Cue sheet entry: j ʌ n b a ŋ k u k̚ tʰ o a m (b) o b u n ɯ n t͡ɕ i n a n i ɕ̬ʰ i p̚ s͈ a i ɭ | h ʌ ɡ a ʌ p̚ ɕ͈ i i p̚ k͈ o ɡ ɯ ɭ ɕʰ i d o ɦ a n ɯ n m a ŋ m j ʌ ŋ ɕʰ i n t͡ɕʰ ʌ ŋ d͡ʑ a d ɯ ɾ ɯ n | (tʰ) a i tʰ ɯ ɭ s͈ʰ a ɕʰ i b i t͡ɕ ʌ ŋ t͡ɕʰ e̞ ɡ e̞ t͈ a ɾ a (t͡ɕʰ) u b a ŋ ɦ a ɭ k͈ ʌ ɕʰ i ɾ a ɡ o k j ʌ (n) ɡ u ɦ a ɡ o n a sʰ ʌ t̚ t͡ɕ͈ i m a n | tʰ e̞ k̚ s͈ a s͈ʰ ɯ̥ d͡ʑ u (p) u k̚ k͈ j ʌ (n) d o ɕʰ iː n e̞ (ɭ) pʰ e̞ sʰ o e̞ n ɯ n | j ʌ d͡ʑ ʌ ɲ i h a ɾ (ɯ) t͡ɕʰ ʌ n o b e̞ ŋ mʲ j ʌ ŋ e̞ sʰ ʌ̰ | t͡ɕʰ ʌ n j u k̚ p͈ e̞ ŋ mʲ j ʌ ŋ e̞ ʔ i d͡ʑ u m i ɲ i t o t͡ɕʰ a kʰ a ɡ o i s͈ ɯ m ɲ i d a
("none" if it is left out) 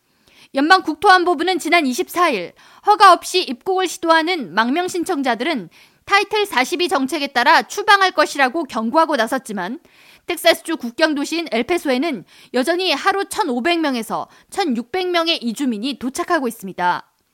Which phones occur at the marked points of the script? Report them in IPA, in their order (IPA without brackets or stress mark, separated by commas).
b, tʰ, t͡ɕʰ, ŋ, k, ŋ, ɭ, u